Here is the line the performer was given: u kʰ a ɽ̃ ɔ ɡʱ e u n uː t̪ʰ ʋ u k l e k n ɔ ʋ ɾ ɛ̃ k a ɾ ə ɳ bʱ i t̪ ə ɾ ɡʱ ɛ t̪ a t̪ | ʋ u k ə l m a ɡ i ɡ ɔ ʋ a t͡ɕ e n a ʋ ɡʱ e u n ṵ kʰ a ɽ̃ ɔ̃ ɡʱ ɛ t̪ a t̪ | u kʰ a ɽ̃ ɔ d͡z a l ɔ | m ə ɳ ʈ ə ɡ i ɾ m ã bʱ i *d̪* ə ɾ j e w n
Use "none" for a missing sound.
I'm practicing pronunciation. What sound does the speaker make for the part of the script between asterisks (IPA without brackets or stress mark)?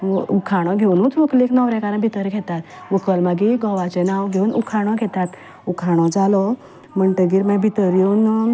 t̪